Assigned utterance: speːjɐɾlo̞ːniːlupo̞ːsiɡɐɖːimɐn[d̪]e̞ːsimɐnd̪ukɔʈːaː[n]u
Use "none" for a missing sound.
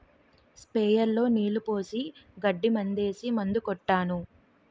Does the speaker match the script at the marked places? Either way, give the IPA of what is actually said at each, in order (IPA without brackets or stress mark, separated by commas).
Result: d̪, n